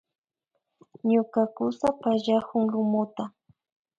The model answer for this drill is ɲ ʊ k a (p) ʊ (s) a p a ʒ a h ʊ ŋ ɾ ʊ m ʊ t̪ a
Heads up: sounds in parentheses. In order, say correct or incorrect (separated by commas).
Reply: incorrect, correct